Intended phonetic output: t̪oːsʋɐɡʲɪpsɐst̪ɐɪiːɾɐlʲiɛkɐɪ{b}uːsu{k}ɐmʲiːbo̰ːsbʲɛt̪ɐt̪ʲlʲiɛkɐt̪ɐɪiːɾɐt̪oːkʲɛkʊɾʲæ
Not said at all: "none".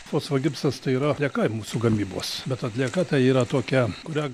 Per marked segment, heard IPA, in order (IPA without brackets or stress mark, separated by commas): m, ɡ